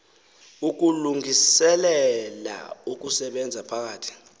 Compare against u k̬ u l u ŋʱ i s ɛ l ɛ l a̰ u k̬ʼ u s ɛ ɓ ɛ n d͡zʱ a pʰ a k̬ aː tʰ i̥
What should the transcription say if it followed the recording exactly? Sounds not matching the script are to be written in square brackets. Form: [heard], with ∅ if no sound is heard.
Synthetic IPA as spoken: u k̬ u l u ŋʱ i s ɛ l ɛ l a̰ u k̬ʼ u s ɛ ɓ ɛ n d͡zʱ a pʰ a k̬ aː tʰ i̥